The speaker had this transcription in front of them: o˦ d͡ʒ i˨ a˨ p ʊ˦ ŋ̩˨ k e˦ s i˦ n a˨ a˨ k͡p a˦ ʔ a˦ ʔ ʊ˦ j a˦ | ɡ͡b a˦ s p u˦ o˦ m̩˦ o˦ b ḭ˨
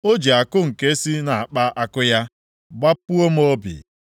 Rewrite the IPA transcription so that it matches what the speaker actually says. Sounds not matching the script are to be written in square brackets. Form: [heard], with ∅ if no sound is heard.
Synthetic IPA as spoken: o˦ d͡ʒ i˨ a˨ [k] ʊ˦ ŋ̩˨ k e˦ s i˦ n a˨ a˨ k͡p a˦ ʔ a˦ [k] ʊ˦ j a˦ | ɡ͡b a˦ [∅] p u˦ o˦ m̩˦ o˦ b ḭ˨

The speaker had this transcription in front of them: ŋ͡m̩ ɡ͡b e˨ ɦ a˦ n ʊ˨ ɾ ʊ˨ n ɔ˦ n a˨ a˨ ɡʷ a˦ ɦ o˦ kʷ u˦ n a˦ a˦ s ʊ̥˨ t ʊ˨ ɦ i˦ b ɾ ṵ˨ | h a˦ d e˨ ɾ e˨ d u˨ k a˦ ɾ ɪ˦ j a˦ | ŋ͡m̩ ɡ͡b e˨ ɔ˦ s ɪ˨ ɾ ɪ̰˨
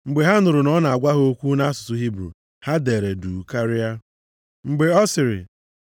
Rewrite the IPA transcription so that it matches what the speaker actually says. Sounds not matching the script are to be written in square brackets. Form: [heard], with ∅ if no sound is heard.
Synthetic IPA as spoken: ŋ͡m̩ ɡ͡b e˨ ɦ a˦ n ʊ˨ ɾ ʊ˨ n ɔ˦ n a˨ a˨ ɡʷ a˦ ɦ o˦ kʷ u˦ n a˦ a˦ s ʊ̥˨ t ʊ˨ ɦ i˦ b ɾ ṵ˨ | h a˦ d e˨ ɾ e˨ d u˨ k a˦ ɾ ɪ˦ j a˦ | ŋ͡m̩ ɡ͡b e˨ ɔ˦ s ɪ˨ ɾ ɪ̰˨

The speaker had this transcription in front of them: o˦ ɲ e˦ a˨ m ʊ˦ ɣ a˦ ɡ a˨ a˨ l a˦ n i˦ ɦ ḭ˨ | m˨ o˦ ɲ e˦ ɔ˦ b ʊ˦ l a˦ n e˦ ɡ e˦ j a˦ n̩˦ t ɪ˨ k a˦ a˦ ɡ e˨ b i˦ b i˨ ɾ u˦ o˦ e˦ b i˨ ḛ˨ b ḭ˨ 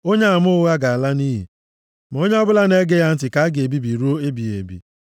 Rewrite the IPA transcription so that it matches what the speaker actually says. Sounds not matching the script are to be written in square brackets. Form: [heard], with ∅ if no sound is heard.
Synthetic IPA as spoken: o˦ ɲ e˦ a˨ m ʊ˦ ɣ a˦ ɡ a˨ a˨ l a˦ n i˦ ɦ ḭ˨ | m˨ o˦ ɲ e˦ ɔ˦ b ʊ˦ l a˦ n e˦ ɡ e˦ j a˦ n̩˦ t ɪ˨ k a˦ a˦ ɡ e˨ b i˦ b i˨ ɾ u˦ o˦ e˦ b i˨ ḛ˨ b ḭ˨

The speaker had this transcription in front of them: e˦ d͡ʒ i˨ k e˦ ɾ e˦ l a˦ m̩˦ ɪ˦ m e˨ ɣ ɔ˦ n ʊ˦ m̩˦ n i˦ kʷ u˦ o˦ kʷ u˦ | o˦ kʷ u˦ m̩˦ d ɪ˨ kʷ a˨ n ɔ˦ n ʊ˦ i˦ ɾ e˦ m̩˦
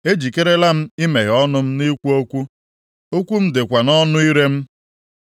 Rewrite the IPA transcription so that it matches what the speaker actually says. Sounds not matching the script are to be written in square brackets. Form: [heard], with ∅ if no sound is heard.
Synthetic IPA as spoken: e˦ d͡ʒ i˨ k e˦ ɾ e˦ l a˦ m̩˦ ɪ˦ m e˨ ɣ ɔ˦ n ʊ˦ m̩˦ n i˦ kʷ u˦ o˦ kʷ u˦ | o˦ kʷ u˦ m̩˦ d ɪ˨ kʷ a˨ n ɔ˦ n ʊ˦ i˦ ɾ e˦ m̩˦

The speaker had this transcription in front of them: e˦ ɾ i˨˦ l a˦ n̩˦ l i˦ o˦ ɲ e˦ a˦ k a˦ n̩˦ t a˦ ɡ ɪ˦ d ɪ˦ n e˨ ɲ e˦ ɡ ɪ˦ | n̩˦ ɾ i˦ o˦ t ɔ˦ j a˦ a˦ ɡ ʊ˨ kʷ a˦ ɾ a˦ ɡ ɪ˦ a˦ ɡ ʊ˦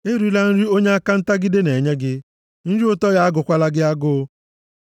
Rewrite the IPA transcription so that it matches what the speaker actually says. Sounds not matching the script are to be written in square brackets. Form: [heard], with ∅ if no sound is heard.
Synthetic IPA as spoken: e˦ ɾ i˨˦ l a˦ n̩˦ [ɾ] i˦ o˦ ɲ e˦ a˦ k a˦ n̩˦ t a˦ ɡ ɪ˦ d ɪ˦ n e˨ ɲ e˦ ɡ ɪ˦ | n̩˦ ɾ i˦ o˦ t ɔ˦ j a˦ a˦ ɡ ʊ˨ kʷ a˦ [l] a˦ ɡ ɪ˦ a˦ ɡ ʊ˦

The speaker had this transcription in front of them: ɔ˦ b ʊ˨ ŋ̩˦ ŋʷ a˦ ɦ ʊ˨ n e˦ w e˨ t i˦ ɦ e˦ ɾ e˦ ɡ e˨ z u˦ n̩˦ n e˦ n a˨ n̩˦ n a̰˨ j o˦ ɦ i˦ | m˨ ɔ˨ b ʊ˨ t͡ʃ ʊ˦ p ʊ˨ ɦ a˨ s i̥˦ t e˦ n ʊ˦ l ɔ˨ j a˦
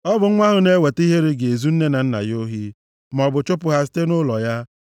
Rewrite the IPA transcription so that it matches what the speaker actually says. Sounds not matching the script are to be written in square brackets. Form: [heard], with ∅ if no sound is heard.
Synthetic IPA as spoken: ɔ˦ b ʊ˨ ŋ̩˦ ŋʷ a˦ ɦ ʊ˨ n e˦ w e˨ t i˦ ɦ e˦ ɾ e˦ ɡ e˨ z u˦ n̩˦ n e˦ n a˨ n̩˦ n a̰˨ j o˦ ɦ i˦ | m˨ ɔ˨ b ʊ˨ t͡ʃ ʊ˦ p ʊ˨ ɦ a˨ s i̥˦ t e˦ n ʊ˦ l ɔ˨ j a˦

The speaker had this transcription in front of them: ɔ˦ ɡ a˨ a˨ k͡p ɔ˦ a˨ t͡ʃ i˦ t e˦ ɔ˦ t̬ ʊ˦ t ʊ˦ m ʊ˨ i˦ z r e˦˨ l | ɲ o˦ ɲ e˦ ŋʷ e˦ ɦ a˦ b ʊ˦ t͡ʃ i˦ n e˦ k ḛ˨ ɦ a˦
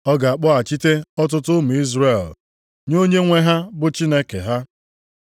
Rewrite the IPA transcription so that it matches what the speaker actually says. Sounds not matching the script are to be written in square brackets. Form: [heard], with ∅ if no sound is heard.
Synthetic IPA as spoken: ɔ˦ ɡ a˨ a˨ k͡p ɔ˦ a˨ t͡ʃ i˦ t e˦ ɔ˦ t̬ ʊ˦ t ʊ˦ m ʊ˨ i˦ z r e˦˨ l | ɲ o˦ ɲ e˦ ŋʷ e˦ ɦ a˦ b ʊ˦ t͡ʃ i˦ n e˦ k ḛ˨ ɦ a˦

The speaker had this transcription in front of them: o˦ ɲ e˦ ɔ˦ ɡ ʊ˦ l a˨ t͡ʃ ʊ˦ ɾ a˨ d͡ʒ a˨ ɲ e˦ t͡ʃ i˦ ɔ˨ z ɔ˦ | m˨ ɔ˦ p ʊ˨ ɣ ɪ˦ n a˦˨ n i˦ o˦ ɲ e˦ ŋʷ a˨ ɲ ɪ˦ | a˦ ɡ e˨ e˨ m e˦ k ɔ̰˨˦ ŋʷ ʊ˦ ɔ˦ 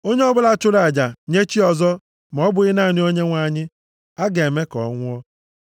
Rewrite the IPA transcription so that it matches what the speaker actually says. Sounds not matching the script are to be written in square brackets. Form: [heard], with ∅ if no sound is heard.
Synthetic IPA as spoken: o˦ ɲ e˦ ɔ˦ [b] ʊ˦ l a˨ t͡ʃ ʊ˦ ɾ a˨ d͡ʒ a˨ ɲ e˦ t͡ʃ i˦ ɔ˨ z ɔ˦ | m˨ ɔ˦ [b] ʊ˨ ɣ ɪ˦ n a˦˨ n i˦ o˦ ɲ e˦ ŋʷ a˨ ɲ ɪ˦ | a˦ ɡ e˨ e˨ m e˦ k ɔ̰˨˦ ŋʷ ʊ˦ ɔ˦

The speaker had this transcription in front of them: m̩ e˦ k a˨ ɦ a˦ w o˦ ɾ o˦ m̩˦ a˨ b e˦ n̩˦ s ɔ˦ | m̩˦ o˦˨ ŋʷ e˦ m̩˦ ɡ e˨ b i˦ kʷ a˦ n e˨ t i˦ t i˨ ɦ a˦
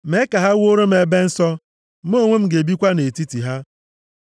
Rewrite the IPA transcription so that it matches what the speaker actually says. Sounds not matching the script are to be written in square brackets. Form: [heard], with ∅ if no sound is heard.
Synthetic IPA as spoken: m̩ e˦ k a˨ ɦ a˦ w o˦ ɾ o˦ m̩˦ [e˨] b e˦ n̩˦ s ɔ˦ | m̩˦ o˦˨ ŋʷ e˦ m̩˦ ɡ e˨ b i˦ kʷ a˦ n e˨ t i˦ t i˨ ɦ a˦

